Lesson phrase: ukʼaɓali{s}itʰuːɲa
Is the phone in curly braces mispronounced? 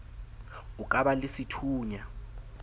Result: no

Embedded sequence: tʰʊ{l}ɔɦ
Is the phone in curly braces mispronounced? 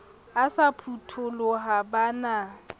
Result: no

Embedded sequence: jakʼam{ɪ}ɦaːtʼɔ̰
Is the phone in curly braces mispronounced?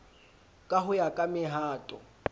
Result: no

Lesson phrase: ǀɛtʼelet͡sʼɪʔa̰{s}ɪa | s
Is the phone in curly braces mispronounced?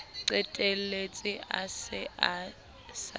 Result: no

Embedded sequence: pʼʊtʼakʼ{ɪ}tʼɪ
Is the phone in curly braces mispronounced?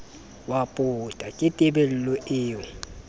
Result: no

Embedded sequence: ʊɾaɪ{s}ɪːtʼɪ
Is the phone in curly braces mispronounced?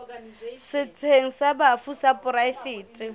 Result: yes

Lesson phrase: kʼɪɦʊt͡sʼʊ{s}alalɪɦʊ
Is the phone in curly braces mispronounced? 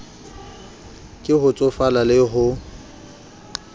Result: yes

